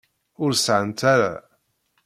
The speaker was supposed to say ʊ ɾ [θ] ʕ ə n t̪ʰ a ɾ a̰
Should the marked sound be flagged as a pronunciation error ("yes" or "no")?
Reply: yes